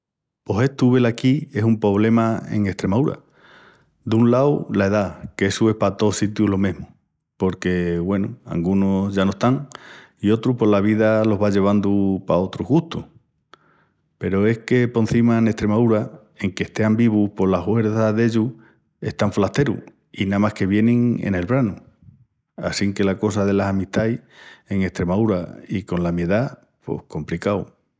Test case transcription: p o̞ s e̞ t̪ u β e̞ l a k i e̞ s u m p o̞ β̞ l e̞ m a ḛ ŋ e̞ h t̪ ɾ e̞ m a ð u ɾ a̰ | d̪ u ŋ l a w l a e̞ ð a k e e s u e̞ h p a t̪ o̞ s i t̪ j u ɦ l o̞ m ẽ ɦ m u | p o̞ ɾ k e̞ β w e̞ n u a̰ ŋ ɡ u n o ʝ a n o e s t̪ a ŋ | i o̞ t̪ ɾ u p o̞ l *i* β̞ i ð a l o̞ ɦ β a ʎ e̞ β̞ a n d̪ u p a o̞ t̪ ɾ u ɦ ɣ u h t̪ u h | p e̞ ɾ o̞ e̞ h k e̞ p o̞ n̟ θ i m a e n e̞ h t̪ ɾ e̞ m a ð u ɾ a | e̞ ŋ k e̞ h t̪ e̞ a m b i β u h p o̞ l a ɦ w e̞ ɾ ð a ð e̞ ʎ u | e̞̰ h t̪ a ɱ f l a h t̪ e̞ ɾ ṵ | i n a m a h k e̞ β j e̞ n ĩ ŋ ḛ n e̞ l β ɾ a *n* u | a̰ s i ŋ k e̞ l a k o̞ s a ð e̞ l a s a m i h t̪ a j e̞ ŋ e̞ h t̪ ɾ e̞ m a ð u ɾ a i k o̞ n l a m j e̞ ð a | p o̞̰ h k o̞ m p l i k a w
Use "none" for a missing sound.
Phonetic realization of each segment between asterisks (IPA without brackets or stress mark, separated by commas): a, n